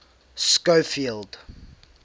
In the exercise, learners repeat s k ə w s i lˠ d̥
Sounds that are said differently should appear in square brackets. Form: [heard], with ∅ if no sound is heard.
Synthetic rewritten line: s k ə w [f] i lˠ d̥